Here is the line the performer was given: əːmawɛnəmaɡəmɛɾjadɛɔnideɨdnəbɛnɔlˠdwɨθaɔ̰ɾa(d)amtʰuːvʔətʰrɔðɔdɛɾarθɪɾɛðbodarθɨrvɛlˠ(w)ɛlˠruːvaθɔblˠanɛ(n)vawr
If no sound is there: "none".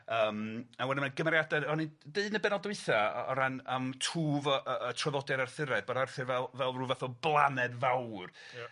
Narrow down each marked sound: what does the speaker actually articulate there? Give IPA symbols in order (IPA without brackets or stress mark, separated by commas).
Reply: n, v, d